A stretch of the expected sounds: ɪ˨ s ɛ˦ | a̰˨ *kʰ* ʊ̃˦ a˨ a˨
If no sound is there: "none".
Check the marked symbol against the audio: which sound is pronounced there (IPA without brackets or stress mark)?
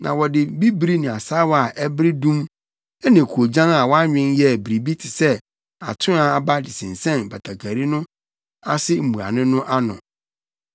tʰ